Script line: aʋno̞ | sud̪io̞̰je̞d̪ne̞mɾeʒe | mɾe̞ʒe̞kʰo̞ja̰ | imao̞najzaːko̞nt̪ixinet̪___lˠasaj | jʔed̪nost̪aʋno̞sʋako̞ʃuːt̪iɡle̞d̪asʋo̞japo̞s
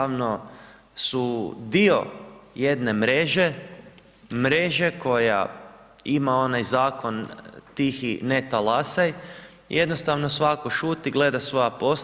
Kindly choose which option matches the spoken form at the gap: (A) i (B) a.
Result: B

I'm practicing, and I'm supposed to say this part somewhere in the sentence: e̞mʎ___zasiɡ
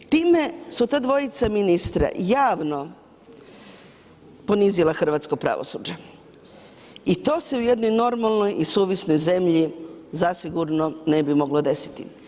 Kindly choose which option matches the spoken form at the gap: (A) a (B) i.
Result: B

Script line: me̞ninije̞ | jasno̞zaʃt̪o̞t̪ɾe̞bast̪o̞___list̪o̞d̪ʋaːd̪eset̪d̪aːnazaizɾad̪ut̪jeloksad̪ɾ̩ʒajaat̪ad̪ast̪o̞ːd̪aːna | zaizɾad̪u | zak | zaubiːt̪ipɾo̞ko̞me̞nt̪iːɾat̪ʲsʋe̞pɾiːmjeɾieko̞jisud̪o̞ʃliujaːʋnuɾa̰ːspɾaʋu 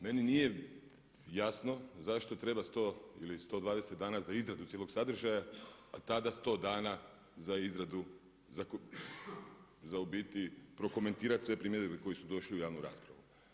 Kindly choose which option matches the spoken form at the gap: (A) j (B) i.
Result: B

